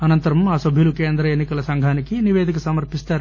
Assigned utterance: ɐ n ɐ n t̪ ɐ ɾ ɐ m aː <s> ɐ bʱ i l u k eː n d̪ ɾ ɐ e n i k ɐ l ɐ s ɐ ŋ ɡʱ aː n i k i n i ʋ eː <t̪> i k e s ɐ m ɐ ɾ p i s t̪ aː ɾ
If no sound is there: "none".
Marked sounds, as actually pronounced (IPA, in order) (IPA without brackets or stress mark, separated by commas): s, d̪